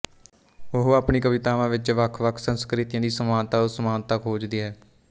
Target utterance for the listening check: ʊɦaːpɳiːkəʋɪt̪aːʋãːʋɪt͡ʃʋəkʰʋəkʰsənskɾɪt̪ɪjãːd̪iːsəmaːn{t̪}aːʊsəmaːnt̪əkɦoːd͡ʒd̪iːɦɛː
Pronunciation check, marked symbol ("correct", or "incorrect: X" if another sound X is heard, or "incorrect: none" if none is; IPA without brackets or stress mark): correct